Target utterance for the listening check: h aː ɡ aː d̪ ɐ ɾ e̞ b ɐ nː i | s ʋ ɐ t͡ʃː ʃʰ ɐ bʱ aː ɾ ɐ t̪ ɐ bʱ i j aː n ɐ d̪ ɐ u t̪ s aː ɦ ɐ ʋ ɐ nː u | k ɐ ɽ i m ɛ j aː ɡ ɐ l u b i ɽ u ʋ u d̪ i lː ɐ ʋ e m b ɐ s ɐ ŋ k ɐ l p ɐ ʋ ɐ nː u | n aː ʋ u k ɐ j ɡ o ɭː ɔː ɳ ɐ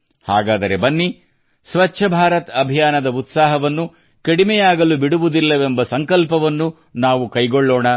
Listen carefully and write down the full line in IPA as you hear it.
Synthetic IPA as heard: h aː ɡ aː d̪ ɐ ɾ e̞ b ɐ nː i | s ʋ ɐ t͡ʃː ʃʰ ɐ bʱ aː ɾ ɐ t̪ ɐ bʱ i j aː n ɐ d̪ ɐ u t̪ s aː ɦ ɐ ʋ ɐ nː u | k ɐ ɽ i m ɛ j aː ɡ ɐ l u b i ɽ u ʋ u d̪ i lː ɐ ʋ e m b ɐ s ɐ ŋ k ɐ l p ɐ ʋ ɐ nː u | n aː ʋ u k ɐ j ɡ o ɭː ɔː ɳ ɐ